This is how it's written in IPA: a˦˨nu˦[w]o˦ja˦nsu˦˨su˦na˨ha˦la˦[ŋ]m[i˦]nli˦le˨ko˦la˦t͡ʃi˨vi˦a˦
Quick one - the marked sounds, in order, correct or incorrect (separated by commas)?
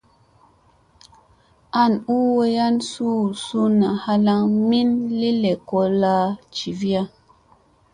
correct, correct, correct